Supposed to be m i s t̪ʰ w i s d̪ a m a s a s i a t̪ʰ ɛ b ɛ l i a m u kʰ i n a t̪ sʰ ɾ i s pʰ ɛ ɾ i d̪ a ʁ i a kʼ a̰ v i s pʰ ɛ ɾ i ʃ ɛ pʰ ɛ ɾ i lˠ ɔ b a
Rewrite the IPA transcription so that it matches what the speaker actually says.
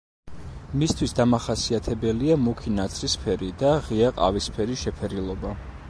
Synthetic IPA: m i s t̪ʰ w i s d̪ a m a χ a s i a t̪ʰ ɛ b ɛ l i a m u kʰ i n a t̪ sʰ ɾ i s pʰ ɛ ɾ i d̪ a ʁ i a qʼ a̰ v i s pʰ ɛ ɾ i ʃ ɛ pʰ ɛ ɾ i lˠ ɔ b a

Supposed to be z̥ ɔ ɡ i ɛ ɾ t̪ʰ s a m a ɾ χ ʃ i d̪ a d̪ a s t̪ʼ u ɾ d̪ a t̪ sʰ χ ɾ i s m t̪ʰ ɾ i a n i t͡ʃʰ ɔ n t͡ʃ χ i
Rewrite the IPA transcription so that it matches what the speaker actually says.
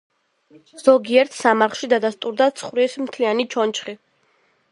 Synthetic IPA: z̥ ɔ ɡ i ɛ ɾ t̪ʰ s a m a ɾ χ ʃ i d̪ a d̪ a s t̪ʼ u ɾ d̪ a t̪ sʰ χ ɾ i s m t̪ʰ l i a n i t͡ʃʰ ɔ n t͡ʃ χ i

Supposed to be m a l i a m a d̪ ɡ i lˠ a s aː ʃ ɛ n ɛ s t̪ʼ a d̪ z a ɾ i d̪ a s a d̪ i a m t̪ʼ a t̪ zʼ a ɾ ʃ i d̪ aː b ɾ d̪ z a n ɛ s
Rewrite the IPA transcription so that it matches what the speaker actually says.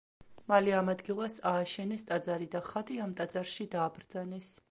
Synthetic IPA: m a l i a m a d̪ ɡ i lˠ a s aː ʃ ɛ n ɛ s t̪ʼ a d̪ z a ɾ i d̪ a χ a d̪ i a m t̪ʼ a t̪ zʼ a ɾ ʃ i d̪ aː b ɾ d̪ z a n ɛ s

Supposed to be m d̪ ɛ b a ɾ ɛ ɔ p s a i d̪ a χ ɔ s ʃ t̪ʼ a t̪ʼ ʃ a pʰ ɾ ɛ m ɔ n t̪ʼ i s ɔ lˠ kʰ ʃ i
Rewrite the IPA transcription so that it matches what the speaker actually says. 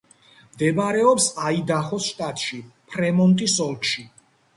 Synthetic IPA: m d̪ ɛ b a ɾ ɛ ɔ p s a i d̪ a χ ɔ s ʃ t̪ʼ a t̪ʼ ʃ i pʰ ɾ ɛ m ɔ n t̪ʼ i s ɔ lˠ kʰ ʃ i

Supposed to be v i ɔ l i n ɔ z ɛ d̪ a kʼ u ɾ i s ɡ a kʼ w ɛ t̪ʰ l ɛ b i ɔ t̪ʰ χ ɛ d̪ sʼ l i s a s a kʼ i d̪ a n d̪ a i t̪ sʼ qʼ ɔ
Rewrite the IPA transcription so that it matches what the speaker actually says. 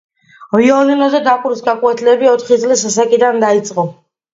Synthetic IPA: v i ɔ l i n ɔ z ɛ d̪ a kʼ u ɾ i s ɡ a kʼ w ɛ t̪ʰ l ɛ b i ɔ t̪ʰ χ i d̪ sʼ l i s a s a kʼ i d̪ a n d̪ a i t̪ sʼ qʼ ɔ

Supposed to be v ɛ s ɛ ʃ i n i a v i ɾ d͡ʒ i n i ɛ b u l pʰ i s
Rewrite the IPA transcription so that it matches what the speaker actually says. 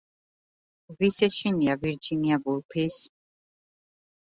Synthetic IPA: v i s ɛ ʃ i n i a v i ɾ d͡ʒ i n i a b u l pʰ i s

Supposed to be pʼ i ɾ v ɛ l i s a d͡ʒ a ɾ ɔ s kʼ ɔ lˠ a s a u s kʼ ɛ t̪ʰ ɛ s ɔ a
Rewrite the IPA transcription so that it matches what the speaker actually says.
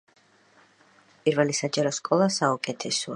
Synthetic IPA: pʼ i ɾ v ɛ l i s a d͡ʒ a ɾ ɔ s kʼ ɔ lˠ a s a u kʼ ɛ t̪ʰ ɛ s ɔ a

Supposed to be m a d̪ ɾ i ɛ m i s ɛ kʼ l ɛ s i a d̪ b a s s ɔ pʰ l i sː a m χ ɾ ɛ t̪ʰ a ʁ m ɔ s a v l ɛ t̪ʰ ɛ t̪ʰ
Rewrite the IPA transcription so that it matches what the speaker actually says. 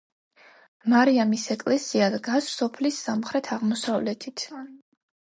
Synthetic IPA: m a ɾ i a m i s ɛ kʼ l ɛ s i a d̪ ɡ a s s ɔ pʰ l i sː a m χ ɾ ɛ t̪ʰ a ʁ m ɔ s a v l ɛ t̪ʰ i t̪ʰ

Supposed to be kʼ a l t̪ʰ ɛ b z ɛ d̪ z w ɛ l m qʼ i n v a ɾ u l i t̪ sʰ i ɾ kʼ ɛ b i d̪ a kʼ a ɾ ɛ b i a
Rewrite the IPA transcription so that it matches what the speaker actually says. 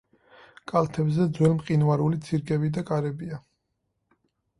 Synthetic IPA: kʼ a l t̪ʰ ɛ b z ɛ d̪ z w ɛ l m qʼ i n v a ɾ u l i t̪ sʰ i ɾ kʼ ɛ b i d̪ a kʼ a ɾ ɛ b i a

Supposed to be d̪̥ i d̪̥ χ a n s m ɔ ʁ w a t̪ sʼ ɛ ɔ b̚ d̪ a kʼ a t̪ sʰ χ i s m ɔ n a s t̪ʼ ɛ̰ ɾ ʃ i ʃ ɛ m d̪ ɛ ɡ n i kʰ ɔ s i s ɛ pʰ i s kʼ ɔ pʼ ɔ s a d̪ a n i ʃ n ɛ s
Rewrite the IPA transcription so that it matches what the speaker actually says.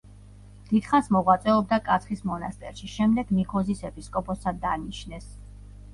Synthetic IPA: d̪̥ i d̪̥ χ a n s m ɔ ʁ w a t̪ sʼ ɛ ɔ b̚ d̪ a kʼ a t̪ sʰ χ i s m ɔ n a s t̪ʼ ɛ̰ ɾ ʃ i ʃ ɛ m d̪ ɛ ɡ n i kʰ ɔ z i s ɛ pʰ i s kʼ ɔ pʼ ɔ s a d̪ a n i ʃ n ɛ s

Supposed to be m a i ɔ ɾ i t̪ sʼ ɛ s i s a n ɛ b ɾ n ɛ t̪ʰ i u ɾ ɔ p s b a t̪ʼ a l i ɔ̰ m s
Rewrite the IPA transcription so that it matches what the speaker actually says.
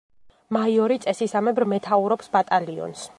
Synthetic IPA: m a i ɔ ɾ i t̪ sʼ ɛ s i s a m ɛ b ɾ m ɛ t̪ʰ a u ɾ ɔ p s b a t̪ʼ a l i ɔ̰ n s

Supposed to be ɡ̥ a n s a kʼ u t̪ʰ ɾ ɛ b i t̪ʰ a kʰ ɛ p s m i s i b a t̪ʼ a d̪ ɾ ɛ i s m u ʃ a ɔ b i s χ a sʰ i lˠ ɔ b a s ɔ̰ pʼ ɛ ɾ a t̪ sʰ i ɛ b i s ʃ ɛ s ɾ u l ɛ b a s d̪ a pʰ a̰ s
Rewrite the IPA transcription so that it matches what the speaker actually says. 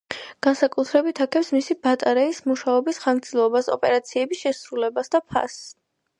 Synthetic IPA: ɡ̥ a n s a kʼ u t̪ʰ ɾ ɛ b i t̪ʰ a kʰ ɛ p s m i s i b a t̪ʼ a ɾ ɛ i s m u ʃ a ɔ b i s χ a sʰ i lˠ ɔ b a s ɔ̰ pʼ ɛ ɾ a t̪ sʰ i ɛ b i s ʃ ɛ s ɾ u l ɛ b a s d̪ a pʰ a̰ s

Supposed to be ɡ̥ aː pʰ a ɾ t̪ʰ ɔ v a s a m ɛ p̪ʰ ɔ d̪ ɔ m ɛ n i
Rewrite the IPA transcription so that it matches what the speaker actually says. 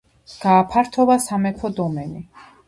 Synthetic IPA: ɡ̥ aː pʰ a ɾ t̪ʰ ɔ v a s a m ɛ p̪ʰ ɔ d̪ ɔ m ɛ n i

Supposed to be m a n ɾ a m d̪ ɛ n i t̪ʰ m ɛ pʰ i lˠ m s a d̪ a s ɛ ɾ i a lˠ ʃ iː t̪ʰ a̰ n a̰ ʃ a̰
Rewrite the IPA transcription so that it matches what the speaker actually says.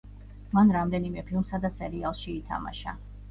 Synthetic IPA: m a n ɾ a m d̪ ɛ n i m ɛ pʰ i lˠ m s a d̪ a s ɛ ɾ i a lˠ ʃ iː t̪ʰ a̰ m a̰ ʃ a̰

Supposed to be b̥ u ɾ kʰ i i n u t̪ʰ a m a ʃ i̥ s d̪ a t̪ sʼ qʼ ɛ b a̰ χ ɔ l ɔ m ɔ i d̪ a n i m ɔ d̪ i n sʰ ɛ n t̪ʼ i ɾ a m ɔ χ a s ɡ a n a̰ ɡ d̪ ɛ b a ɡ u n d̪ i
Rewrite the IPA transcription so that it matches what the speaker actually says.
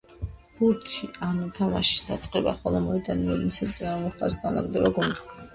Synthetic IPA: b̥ u ɾ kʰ i a n u t̪ʰ a m a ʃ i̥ s d̪ a t̪ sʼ qʼ ɛ b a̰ χ ɔ l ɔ m ɔ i d̪ a n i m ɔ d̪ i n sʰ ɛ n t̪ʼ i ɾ a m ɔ χ a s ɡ a n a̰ ɡ d̪ ɛ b a ɡ u n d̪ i

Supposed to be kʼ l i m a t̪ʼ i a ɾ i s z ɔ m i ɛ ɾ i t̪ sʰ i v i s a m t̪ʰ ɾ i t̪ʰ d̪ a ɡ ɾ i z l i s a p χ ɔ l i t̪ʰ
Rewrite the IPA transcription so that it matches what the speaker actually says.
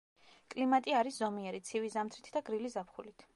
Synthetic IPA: kʼ l i m a t̪ʼ i a ɾ i s z ɔ m i ɛ ɾ i t̪ sʰ i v i z a m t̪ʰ ɾ i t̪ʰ d̪ a ɡ ɾ i l i z a p χ u l i t̪ʰ

